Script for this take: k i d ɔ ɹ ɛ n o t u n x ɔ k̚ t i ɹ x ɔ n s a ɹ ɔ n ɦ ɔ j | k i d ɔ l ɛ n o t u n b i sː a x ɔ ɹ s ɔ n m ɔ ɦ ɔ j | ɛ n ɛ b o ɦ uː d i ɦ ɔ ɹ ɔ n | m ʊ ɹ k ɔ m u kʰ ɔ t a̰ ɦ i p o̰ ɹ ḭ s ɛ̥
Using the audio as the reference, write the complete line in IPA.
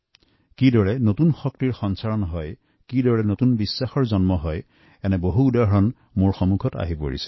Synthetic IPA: k i d ɔ ɹ ɛ n o t u n x ɔ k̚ t i ɹ x ɔ n s a ɹ ɔ n ɦ ɔ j | k i d ɔ ɹ ɛ n o t u n b i sː a x ɔ ɹ z ɔ n m ɔ ɦ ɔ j | ɛ n ɛ b o ɦ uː d a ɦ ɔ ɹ ɔ n | m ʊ ɹ x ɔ m u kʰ ɔ t a̰ ɦ i p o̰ ɹ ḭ s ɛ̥

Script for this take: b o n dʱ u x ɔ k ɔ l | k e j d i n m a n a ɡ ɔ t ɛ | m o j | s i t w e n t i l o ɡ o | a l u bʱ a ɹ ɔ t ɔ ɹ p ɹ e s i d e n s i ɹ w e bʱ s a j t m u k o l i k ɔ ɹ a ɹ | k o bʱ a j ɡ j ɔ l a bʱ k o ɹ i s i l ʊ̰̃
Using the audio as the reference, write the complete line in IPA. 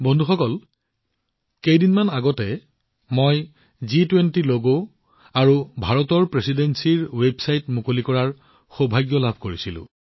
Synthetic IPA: b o n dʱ u x ɔ k ɔ l | k e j d i n m a n a ɡ ɔ t ɛ | m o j | z i t w e n t i l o ɡ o | a ɹ u bʱ a ɹ ɔ t ɔ ɹ p ɹ e s i d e n s i ɹ w e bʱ s a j t m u k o l i k ɔ ɹ a ɹ | x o bʱ a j ɡ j ɔ l a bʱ k o ɹ i s i l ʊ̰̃

